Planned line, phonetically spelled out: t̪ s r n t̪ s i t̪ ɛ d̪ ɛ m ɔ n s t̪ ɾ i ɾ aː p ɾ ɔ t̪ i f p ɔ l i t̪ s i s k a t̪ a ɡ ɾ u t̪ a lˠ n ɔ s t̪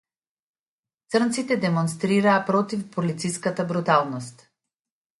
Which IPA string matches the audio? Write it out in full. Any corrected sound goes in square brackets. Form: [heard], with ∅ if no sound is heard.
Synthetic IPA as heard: t̪ s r n t̪ s i t̪ ɛ d̪ ɛ m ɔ n s t̪ ɾ i ɾ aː p ɾ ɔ t̪ i f p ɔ l i t̪ s i s k a t̪ a [b] ɾ u t̪ a lˠ n ɔ s t̪